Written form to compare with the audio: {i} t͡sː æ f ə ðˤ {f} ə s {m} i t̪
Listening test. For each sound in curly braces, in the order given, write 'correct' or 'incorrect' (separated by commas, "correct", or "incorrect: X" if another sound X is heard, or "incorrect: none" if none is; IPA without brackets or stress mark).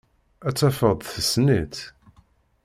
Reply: incorrect: æ, incorrect: θ, incorrect: n